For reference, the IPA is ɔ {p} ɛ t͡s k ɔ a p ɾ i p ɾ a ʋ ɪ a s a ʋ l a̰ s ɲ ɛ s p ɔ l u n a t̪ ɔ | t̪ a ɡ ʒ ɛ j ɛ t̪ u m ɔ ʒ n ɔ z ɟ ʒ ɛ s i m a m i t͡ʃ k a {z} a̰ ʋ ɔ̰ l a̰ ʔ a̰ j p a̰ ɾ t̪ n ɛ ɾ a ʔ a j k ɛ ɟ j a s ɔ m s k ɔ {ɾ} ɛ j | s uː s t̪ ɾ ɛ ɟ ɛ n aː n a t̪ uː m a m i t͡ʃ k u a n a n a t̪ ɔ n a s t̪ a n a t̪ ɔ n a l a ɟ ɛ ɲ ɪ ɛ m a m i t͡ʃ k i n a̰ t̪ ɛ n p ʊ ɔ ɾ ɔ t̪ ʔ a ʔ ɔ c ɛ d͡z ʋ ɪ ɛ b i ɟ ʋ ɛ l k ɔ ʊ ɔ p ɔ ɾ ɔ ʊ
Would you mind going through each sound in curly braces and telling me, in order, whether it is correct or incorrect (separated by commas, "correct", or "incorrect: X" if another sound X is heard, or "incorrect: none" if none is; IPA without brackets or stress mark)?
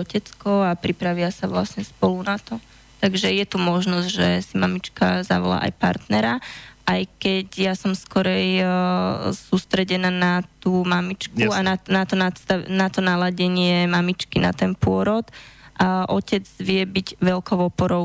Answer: incorrect: c, correct, correct